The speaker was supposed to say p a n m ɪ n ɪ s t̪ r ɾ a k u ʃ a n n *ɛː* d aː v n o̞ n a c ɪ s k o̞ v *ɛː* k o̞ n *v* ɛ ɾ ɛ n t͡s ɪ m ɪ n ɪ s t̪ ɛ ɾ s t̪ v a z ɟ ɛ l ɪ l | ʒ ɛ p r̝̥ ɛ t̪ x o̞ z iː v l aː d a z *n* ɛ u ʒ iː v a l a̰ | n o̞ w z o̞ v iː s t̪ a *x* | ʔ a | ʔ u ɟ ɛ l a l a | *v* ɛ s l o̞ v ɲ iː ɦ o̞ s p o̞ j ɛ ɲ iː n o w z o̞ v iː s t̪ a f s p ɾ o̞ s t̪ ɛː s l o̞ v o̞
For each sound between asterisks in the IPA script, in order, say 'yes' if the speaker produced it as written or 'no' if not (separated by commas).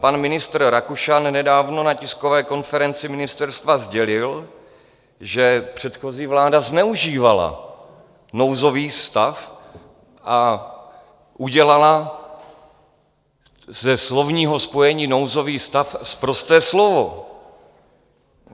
no, yes, no, yes, no, no